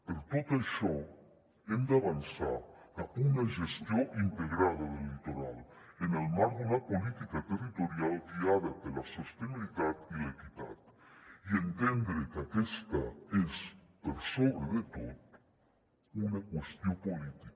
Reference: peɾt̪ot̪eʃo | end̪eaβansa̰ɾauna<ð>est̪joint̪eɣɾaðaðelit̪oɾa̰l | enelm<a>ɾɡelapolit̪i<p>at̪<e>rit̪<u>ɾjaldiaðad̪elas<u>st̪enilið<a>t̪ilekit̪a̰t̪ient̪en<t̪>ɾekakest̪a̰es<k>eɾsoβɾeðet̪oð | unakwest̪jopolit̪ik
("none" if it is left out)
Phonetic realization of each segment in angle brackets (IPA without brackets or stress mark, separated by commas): ʒ, a, k, e, o, o, a, d̪, p